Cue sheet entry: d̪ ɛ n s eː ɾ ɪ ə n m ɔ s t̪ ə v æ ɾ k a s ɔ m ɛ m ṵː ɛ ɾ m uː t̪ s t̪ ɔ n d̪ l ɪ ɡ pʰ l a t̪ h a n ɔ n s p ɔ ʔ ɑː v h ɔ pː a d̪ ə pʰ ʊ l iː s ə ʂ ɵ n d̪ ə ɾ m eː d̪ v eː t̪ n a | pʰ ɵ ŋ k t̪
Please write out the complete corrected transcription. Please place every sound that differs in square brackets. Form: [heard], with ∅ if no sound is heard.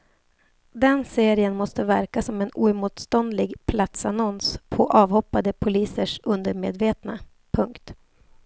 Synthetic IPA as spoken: d̪ ɛ n s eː ɾ ɪ ə n m ɔ s t̪ ə v æ ɾ k a s ɔ m ɛ [n] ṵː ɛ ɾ m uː t̪ s t̪ ɔ n d̪ l ɪ ɡ pʰ l a t̪ [s] a n ɔ n s [pʰ] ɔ ʔ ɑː v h ɔ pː a d̪ ə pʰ ʊ l iː s ə ʂ ɵ n d̪ ə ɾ m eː d̪ v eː t̪ n a | pʰ ɵ ŋ k t̪